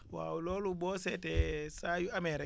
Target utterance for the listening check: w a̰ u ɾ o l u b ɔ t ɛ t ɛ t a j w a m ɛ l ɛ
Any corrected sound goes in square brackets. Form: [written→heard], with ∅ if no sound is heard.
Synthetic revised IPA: w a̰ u [ɾ→l] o l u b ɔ [t→s] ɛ t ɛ [t→s] a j [w→u] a m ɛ [l→ɾ] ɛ